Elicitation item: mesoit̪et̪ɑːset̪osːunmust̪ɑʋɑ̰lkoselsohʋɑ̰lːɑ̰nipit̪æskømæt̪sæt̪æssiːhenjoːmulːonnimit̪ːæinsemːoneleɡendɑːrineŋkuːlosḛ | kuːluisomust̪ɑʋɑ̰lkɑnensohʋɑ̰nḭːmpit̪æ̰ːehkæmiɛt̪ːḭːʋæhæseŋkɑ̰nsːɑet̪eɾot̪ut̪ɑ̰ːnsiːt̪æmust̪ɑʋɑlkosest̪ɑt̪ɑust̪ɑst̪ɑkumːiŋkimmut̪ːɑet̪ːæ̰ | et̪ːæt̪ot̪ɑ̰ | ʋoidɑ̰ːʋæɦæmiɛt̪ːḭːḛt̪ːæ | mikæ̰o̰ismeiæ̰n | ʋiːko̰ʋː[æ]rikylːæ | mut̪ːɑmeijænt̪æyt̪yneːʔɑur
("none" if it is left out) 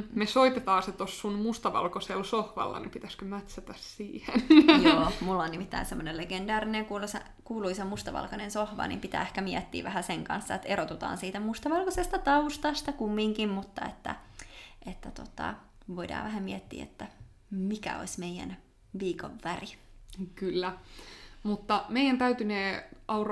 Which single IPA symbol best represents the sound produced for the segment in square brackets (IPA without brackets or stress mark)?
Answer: æ